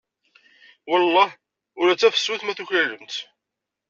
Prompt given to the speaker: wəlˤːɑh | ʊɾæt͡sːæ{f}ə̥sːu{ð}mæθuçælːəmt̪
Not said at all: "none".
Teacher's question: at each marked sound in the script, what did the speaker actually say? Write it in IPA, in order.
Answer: f, θ

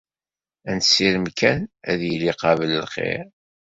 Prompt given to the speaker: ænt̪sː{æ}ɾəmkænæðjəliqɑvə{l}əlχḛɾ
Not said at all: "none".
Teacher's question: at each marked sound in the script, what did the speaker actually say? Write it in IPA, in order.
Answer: i, l

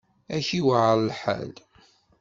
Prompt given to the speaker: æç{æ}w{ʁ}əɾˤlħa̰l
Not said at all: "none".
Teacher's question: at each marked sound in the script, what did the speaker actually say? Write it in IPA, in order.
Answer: i, ʕ

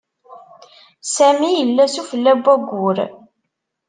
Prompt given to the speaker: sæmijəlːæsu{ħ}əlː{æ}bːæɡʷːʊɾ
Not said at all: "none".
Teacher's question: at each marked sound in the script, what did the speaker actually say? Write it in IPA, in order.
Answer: f, æ

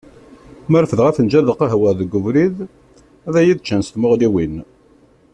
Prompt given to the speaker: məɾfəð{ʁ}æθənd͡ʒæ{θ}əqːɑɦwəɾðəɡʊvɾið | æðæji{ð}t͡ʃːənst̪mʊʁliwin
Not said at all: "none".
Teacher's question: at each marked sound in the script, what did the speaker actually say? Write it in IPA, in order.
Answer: ʁ, ð, ð

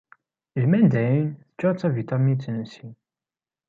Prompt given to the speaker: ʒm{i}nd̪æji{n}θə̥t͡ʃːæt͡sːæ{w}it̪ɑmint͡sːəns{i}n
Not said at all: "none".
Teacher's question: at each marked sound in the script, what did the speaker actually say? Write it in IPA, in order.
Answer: æ, n, v, i

